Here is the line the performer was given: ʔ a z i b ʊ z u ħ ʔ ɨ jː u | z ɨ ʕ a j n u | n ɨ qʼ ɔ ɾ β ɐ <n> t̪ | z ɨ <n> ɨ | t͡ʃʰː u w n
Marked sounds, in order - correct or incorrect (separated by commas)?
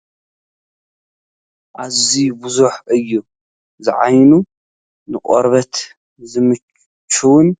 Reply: incorrect, incorrect